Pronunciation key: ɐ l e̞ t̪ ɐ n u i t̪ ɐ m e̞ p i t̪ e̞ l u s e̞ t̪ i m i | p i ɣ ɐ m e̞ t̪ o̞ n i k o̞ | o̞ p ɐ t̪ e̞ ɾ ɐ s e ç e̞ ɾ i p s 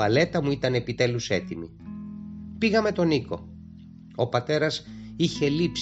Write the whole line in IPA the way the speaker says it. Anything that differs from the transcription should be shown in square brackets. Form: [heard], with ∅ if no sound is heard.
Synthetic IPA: ɐ l e̞ t̪ ɐ [m] u i t̪ ɐ [n] e̞ p i t̪ e̞ l u s e̞ t̪ i m i | p i ɣ ɐ m e̞ t̪ o̞ n i k o̞ | o̞ p ɐ t̪ e̞ ɾ ɐ s [i] ç e̞ [l] i p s